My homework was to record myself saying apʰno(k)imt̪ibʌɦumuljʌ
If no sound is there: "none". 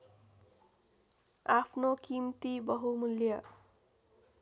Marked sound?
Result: k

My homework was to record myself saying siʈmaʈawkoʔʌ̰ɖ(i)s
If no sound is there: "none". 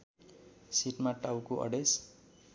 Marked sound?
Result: e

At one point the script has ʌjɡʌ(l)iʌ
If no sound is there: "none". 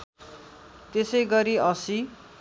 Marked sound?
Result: ɾ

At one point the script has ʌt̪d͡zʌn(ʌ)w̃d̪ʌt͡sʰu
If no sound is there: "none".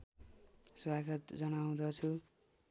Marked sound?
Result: a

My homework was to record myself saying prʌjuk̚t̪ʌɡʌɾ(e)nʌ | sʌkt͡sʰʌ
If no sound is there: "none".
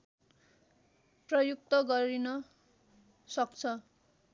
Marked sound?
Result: i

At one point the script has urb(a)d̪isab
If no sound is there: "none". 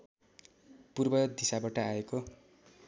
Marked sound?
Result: ʌ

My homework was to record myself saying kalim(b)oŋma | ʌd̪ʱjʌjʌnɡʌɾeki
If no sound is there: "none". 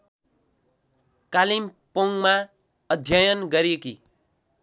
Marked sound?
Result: p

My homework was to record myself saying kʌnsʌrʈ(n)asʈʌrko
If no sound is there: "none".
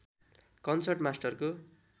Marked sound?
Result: m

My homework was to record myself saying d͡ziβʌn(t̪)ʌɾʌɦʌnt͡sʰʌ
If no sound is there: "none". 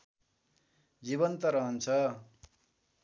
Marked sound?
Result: t̪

